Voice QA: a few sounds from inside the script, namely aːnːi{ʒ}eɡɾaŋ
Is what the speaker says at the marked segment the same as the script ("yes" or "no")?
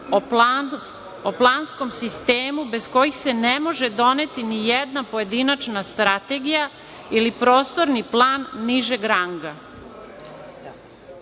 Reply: yes